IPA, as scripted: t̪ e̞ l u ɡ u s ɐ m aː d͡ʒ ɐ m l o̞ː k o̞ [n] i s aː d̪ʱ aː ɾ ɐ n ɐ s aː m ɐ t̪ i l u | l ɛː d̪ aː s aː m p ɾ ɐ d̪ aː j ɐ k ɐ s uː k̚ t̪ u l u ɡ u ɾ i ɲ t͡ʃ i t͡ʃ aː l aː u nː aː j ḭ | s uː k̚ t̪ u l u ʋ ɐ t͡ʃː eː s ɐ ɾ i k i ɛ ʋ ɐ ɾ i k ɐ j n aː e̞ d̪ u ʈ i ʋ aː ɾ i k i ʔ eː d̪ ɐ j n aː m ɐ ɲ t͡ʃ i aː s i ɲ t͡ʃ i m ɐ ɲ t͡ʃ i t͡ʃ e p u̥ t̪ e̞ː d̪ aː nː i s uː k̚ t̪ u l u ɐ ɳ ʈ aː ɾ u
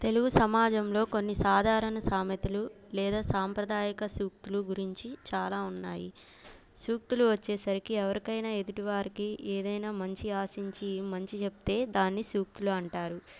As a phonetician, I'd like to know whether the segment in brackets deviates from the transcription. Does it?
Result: yes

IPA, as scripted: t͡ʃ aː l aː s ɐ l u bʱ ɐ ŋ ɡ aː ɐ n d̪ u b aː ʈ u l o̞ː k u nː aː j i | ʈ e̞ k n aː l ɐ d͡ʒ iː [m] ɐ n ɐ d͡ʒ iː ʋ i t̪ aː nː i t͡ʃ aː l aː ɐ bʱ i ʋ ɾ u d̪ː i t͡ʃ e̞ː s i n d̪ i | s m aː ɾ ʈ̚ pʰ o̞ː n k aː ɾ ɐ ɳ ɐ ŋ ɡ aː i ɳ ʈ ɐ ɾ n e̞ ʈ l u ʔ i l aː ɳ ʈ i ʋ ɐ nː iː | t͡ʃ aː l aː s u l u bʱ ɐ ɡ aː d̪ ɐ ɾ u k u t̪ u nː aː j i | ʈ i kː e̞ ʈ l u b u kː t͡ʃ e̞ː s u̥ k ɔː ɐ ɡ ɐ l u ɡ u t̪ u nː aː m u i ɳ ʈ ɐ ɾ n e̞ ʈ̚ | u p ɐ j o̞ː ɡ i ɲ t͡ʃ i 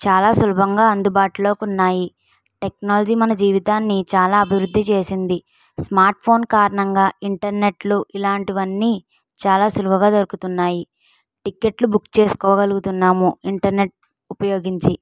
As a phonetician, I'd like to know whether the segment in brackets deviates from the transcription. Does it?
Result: no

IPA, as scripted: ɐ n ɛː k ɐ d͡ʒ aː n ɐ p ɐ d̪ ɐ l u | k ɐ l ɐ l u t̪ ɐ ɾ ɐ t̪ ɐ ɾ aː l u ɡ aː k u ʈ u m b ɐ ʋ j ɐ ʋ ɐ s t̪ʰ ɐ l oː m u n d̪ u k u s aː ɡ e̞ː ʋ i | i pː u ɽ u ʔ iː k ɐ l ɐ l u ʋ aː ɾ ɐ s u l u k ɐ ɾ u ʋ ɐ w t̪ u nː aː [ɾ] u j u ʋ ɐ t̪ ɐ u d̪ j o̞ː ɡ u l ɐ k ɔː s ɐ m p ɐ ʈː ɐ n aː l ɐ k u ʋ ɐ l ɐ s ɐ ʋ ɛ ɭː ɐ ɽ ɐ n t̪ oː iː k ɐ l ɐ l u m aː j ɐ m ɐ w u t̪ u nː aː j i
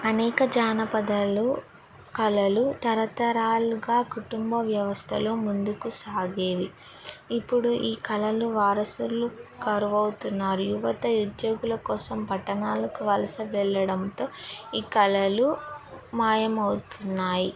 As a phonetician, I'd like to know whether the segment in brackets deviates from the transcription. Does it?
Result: no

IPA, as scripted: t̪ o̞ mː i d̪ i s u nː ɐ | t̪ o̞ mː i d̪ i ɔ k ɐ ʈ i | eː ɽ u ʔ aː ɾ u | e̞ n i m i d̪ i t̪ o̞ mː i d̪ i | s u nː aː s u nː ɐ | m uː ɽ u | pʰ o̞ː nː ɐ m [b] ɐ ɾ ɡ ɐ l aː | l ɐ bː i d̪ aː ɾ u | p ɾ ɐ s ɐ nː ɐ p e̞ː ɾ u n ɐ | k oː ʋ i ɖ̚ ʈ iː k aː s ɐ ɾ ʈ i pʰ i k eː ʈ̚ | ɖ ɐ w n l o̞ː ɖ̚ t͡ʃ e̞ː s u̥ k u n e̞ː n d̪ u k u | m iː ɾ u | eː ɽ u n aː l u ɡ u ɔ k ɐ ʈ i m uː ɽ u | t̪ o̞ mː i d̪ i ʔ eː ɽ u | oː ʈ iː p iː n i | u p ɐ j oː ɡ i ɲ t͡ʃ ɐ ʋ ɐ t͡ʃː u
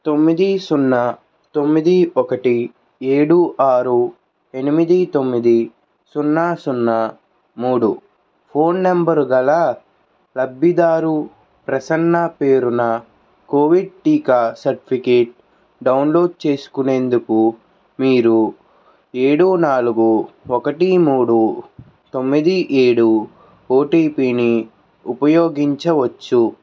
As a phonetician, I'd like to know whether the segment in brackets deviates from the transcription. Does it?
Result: no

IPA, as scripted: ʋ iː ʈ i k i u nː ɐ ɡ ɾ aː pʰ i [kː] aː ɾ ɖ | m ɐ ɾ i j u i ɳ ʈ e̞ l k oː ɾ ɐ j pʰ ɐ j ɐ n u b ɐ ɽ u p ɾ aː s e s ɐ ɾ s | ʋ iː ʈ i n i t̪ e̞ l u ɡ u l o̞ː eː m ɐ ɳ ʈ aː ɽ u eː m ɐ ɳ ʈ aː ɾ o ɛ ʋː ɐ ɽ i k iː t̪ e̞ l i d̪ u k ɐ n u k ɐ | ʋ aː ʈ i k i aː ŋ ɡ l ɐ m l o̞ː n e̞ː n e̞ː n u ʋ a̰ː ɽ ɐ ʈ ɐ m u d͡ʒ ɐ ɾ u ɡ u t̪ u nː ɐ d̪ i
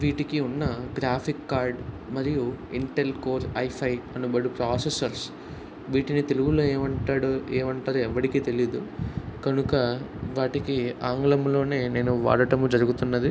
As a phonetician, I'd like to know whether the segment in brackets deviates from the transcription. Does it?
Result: no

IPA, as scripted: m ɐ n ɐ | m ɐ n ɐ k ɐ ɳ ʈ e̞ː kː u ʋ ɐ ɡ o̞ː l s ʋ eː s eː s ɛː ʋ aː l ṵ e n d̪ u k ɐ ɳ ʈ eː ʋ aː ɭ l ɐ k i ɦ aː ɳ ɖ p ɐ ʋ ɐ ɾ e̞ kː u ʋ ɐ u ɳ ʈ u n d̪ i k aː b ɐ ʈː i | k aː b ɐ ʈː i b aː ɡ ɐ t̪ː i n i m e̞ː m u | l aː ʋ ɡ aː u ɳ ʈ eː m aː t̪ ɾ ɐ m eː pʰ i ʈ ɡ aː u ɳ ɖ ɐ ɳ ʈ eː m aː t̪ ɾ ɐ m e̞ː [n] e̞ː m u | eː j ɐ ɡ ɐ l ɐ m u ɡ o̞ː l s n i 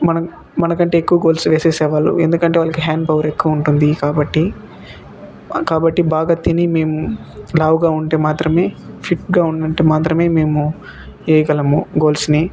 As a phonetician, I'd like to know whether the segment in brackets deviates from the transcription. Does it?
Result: yes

